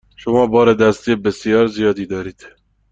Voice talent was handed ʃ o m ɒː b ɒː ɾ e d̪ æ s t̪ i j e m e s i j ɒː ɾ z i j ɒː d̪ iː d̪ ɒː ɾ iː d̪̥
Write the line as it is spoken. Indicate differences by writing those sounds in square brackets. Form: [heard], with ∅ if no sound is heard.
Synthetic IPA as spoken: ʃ o m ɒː b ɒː ɾ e d̪ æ s t̪ i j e [b] e s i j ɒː ɾ z i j ɒː d̪ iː d̪ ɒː ɾ iː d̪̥